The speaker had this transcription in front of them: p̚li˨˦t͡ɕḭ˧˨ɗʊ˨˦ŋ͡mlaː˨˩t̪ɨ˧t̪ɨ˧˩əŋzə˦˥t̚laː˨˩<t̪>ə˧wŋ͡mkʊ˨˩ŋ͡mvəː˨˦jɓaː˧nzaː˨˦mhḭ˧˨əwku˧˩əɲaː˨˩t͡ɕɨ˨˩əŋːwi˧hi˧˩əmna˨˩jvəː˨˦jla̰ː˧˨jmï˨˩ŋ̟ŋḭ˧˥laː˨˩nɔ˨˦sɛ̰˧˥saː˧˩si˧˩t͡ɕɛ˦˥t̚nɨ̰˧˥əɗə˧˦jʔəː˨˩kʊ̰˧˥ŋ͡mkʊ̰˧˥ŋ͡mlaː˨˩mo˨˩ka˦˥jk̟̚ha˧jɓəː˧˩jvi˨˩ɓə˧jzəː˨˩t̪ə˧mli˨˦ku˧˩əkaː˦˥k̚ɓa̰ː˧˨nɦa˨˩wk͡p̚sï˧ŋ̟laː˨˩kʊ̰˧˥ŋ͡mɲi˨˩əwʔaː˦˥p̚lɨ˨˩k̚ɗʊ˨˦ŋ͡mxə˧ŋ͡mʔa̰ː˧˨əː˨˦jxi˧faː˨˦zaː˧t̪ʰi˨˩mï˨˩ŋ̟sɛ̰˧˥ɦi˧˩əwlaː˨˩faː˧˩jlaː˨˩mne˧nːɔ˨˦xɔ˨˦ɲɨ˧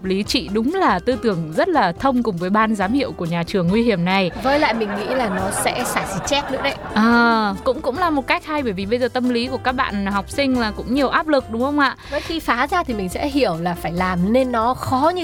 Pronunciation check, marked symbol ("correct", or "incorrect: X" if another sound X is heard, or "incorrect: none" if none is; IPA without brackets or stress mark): incorrect: t̪ʰ